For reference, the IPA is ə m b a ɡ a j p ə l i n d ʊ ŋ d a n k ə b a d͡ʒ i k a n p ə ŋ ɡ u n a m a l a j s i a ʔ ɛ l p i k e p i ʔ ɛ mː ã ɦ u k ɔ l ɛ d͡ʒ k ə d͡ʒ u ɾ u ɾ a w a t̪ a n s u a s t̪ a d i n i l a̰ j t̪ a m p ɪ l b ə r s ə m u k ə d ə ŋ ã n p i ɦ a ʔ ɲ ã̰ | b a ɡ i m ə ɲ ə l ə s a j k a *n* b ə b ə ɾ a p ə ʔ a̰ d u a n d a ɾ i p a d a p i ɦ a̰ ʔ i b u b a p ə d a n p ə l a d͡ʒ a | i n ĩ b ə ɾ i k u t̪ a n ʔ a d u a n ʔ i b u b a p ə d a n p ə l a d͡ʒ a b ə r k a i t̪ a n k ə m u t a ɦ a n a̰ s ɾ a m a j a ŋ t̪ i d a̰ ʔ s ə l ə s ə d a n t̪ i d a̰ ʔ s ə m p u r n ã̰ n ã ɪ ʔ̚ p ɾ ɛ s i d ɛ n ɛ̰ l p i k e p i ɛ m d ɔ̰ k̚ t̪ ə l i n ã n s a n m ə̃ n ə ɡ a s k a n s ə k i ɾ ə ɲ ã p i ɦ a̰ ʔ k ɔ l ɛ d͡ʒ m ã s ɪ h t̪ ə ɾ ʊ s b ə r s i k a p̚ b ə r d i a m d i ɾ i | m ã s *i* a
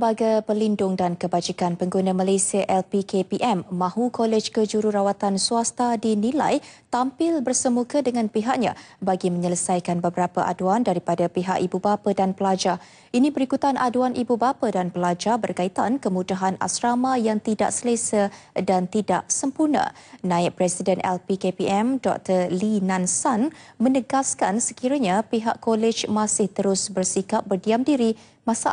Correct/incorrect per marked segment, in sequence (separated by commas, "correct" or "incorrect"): correct, incorrect